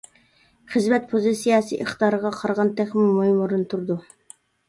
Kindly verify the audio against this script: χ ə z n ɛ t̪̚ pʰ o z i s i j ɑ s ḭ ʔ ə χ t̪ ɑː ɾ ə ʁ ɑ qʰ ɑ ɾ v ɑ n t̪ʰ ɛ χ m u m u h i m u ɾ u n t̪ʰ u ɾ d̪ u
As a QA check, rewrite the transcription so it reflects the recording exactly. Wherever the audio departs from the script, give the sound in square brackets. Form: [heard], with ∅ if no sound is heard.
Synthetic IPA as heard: χ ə z [m] ɛ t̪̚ pʰ o z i s i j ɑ s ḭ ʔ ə χ t̪ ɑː ɾ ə ʁ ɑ qʰ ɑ ɾ [ʁ] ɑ n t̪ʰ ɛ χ m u m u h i m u ɾ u n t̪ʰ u ɾ d̪ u